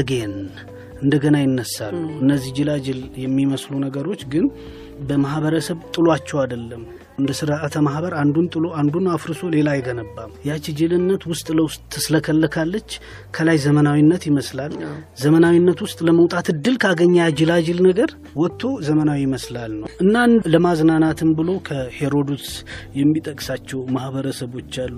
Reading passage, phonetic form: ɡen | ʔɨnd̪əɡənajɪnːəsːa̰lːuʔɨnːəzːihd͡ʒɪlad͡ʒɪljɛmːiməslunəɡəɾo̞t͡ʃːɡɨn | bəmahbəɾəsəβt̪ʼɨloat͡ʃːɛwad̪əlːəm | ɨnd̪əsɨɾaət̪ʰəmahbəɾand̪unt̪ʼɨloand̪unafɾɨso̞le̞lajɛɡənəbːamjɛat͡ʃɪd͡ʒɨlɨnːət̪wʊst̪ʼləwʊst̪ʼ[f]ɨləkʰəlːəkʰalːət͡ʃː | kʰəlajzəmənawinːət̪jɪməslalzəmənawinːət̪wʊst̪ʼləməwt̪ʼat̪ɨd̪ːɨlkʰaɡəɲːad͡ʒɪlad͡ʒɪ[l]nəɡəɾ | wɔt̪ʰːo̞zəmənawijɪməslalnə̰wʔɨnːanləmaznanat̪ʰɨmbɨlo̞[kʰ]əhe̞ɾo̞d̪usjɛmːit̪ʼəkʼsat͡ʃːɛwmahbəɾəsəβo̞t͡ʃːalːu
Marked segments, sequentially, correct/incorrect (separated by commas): incorrect, correct, correct